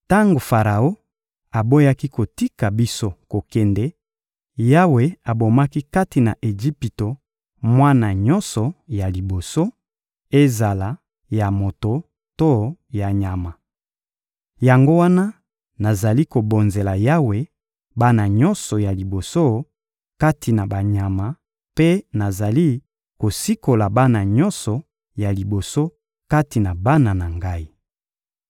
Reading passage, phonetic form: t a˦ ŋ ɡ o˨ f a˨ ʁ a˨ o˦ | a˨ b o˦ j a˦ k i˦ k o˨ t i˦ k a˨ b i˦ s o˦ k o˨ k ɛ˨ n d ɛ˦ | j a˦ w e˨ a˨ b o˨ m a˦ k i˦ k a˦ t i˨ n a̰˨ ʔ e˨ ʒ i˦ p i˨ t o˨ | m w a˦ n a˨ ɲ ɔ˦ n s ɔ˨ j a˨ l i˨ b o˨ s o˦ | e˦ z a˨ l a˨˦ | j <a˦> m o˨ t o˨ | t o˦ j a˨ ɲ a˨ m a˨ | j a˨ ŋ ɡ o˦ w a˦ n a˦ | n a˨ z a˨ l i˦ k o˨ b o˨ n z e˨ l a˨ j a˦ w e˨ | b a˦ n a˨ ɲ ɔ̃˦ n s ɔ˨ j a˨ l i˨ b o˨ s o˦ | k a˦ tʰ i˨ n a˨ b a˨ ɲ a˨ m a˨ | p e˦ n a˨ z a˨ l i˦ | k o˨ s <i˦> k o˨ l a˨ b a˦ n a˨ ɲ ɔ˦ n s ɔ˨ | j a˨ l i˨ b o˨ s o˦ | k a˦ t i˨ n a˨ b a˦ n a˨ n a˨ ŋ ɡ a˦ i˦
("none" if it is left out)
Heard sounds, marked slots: a˨, i˦

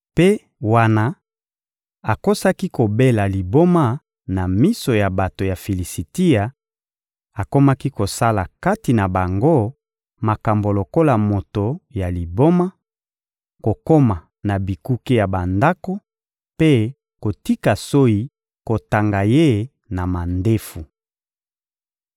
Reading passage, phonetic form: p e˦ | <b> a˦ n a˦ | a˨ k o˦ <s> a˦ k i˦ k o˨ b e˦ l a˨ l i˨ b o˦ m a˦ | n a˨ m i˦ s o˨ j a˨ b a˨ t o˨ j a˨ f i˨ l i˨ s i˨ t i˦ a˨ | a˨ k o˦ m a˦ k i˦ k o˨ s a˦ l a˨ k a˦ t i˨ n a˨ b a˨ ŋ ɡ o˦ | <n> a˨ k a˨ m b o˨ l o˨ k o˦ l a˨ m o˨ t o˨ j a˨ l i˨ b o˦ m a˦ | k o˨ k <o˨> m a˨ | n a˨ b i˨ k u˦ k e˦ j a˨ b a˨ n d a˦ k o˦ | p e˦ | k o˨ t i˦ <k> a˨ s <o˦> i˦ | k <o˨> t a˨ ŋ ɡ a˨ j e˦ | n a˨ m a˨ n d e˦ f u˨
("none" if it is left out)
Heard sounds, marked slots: w, s, m, o˦, k, o˦, o˨

